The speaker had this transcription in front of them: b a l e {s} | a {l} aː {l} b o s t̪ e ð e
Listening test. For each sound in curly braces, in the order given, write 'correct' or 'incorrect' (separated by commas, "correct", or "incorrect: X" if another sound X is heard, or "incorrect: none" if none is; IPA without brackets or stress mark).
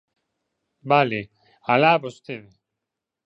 incorrect: none, correct, incorrect: none